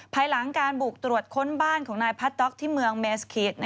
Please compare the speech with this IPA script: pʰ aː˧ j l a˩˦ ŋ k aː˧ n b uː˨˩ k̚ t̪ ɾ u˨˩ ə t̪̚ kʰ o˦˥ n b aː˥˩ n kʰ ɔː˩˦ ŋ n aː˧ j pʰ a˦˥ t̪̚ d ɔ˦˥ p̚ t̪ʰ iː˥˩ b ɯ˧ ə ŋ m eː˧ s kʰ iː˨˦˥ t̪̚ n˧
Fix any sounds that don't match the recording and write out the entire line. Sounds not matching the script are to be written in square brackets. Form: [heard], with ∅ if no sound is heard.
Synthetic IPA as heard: pʰ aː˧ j l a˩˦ ŋ k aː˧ n b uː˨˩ k̚ t̪ ɾ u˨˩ ə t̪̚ kʰ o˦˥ n b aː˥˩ n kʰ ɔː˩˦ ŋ n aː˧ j pʰ a˦˥ t̪̚ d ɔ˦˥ [k̚] t̪ʰ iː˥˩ [m] ɯ˧ ə ŋ m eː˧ s kʰ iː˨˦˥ t̪̚ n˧

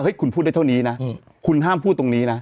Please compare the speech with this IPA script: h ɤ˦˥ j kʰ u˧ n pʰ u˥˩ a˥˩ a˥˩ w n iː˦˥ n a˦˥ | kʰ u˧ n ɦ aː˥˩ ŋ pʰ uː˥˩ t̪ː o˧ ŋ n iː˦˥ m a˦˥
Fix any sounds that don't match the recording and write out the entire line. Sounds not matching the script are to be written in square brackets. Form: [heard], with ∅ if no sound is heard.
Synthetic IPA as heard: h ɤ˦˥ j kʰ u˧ n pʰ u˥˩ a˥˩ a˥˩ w n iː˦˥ n a˦˥ | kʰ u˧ n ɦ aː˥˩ [m] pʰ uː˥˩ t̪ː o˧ ŋ n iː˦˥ [n] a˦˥

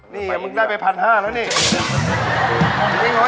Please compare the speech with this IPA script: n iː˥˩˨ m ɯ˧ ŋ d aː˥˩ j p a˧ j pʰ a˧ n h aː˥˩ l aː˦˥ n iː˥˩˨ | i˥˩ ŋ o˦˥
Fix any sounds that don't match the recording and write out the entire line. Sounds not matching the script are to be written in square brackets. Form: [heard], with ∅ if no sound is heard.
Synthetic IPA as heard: n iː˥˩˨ m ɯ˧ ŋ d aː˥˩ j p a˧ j pʰ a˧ n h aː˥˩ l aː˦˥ n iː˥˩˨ | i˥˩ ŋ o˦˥

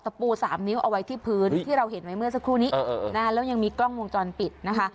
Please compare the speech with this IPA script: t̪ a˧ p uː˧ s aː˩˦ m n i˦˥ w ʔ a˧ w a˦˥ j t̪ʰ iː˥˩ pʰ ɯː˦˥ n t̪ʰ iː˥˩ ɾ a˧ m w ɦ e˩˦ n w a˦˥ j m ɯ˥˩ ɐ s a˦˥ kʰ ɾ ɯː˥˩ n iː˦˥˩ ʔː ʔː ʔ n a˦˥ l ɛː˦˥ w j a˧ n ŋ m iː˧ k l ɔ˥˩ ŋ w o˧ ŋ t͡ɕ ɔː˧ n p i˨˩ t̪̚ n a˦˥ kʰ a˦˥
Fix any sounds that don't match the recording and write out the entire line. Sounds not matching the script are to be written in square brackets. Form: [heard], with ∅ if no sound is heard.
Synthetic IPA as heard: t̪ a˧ p uː˧ s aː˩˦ m n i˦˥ w ʔ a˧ w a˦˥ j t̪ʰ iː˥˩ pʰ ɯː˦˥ n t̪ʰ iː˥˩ ɾ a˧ [∅] w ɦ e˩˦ n w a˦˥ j m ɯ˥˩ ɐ s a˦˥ kʰ ɾ [uː˥˩] n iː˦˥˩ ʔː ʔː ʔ n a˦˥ l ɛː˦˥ w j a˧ [∅] ŋ m iː˧ k l ɔ˥˩ ŋ w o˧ ŋ t͡ɕ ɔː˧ n p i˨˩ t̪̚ n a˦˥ kʰ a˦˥

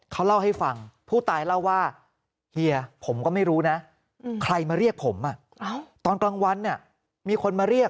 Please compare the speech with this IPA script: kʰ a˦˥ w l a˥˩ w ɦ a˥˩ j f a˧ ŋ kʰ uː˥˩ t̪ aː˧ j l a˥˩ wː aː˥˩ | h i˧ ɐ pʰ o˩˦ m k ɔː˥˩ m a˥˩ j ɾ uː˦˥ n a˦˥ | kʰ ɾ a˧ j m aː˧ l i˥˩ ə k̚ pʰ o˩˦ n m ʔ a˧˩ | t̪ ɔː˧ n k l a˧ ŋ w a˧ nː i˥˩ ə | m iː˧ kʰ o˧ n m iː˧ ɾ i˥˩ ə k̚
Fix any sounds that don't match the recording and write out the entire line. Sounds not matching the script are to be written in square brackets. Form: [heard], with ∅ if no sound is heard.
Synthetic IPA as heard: kʰ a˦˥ w l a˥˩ w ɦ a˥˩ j f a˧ ŋ [pʰ] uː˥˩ t̪ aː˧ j l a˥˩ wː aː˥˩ | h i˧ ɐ pʰ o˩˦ m k ɔː˥˩ m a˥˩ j ɾ uː˦˥ n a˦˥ | kʰ ɾ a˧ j m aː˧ [ɾ] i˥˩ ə k̚ pʰ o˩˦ [∅] m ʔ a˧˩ | t̪ ɔː˧ n k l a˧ ŋ w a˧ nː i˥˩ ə | m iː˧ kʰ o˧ n m [aː˧] ɾ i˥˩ ə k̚

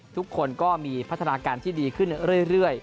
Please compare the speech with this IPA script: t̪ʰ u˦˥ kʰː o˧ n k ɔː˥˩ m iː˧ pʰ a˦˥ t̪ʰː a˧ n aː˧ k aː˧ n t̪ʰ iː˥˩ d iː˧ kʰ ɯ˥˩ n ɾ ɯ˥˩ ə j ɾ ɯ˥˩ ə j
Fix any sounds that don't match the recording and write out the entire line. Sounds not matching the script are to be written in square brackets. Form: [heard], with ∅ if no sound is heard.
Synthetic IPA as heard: t̪ʰ u˦˥ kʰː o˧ n k ɔː˥˩ m iː˧ pʰ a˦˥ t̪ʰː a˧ n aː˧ k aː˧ n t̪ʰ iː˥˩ d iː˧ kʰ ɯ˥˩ n ɾ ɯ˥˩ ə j ɾ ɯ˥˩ ə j

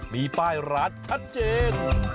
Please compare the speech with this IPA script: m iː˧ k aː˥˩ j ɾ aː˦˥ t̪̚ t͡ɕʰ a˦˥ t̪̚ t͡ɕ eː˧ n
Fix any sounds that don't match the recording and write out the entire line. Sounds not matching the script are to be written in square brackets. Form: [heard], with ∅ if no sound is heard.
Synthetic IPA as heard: m iː˧ [p] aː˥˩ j ɾ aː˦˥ t̪̚ t͡ɕʰ a˦˥ t̪̚ t͡ɕ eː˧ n

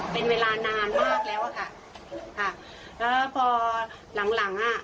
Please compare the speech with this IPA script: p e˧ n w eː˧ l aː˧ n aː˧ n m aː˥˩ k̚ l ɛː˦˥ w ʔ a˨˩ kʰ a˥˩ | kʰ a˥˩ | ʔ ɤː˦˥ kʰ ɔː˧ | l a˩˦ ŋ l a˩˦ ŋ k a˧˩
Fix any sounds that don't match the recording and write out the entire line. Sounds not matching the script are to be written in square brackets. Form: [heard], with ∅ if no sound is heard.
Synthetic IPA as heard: p e˧ n w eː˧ l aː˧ n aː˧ n m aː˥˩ k̚ l ɛː˦˥ w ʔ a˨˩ kʰ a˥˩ | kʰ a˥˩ | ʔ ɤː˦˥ [pʰ] ɔː˧ | l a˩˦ ŋ l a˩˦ ŋ [ʔ] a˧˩

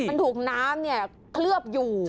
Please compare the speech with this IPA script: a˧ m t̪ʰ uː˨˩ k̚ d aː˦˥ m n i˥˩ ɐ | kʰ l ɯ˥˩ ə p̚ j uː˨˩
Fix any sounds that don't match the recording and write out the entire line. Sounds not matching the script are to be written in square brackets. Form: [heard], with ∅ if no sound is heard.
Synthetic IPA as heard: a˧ [n] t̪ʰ uː˨˩ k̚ [n] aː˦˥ m n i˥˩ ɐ | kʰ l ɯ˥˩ ə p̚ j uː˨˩

